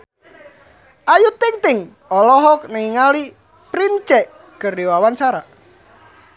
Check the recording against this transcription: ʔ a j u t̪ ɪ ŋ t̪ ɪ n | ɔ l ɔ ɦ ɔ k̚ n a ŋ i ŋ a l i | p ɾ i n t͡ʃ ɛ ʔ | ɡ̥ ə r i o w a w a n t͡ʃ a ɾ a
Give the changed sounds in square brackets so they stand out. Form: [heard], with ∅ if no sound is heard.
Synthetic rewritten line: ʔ a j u t̪ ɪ ŋ t̪ ɪ [ŋ] | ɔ l ɔ ɦ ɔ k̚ n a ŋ i ŋ a l i | p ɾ i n t͡ʃ ɛ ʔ | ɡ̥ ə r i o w a w a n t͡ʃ a ɾ a